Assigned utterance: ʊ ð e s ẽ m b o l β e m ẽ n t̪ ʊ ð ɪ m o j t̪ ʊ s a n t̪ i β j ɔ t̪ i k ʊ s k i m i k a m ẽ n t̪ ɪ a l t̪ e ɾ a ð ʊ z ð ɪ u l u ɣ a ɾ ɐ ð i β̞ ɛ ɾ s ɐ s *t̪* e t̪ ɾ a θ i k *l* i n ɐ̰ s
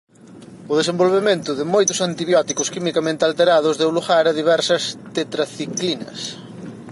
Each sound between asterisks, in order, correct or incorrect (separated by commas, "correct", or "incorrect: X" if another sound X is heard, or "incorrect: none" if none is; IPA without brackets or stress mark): correct, correct